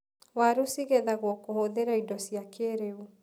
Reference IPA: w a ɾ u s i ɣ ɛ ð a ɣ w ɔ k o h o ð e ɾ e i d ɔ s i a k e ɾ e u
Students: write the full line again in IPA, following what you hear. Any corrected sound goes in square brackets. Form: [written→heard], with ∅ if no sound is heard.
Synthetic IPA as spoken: w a ɾ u s i ɣ ɛ ð a ɣ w ɔ k o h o ð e ɾ [e→a] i d ɔ s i a k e ɾ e u